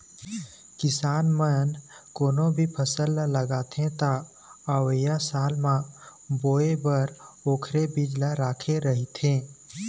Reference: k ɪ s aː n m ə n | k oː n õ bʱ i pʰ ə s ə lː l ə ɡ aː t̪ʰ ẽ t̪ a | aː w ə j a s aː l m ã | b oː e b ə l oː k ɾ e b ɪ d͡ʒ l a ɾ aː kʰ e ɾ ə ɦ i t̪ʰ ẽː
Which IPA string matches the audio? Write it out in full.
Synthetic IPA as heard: k ɪ s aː n m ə n | k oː n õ bʱ i pʰ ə s ə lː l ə ɡ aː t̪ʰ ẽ t̪ a | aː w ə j a s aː l m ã | b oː e b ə ɾ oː kʰ ɾ e b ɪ d͡ʒ l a ɾ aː kʰ e ɾ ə ɦ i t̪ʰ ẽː